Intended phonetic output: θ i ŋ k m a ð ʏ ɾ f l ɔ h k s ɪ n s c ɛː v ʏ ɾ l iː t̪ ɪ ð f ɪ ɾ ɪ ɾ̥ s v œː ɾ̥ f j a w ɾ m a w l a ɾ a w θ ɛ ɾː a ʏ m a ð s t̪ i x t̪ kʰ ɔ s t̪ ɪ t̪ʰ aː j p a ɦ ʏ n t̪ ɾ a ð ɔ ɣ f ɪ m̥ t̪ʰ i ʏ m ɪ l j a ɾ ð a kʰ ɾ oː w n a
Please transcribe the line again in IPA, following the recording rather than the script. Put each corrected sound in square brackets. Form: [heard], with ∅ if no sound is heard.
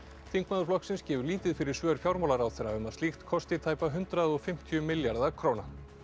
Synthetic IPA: θ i ŋ k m a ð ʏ ɾ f l ɔ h k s ɪ n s c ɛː v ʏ ɾ l iː t̪ ɪ ð f ɪ ɾ ɪ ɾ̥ s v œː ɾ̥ f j a w ɾ m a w l a ɾ a w θ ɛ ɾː a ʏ m a ð s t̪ i x t̪ kʰ ɔ s t̪ ɪ t̪ʰ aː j p a ɦ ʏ n t̪ ɾ a ð ɔ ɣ f ɪ m̥ t̪ʰ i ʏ m ɪ l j a ɾ ð a kʰ ɾ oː w n a